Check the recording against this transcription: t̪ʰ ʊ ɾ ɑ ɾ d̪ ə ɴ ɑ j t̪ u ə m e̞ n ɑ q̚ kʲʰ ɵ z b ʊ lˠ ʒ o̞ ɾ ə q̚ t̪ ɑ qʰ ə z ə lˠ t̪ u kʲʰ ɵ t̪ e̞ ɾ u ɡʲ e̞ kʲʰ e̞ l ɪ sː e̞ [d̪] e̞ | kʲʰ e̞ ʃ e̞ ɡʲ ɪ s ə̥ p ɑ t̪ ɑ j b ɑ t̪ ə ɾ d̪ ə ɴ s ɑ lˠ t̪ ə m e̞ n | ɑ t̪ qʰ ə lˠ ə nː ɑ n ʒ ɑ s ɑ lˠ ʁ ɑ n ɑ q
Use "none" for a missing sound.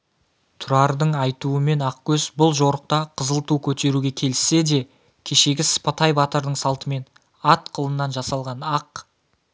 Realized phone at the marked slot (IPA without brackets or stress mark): d̪